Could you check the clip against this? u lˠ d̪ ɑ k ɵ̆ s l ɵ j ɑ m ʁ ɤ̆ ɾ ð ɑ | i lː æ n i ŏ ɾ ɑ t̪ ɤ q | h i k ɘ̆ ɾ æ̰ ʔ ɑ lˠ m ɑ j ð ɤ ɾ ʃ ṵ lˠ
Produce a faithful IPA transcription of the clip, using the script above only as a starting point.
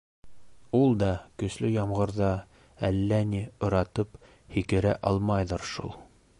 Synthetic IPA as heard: u lˠ d̪ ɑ k ɵ̆ s l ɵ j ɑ m ʁ ɤ̆ ɾ ð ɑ | æ lː æ n i ŏ ɾ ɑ t̪ ɤ p | h i k ɘ̆ ɾ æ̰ ʔ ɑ lˠ m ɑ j ð ɤ ɾ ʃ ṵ lˠ